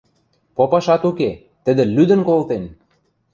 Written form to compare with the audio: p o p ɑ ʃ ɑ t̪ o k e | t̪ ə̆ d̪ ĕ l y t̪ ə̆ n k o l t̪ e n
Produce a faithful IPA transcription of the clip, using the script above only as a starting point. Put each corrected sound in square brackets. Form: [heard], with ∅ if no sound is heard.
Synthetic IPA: p o p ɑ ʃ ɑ t̪ [u] k e | t̪ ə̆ d̪ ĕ l y [d̪] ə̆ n k o l t̪ e n